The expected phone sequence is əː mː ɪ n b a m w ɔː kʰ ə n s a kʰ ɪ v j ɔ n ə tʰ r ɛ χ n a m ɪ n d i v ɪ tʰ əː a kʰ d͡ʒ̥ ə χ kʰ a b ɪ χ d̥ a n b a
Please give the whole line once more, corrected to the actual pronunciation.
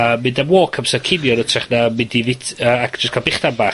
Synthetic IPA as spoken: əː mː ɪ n d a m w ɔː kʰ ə m s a kʰ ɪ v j ɔ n ə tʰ r ɛ χ n a m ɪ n d i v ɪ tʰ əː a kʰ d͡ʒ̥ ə s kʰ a b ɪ χ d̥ a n b a